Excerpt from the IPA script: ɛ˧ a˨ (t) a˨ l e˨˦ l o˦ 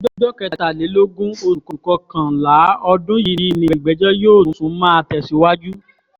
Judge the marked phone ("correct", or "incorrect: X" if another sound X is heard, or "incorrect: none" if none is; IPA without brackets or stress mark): correct